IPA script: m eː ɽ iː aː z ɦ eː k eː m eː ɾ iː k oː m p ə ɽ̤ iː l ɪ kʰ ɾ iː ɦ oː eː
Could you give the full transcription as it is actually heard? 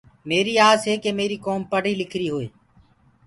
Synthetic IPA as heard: m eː ɾ iː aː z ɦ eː k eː m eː ɾ iː k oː m p ə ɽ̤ iː l ɪ kʰ ɾ iː ɦ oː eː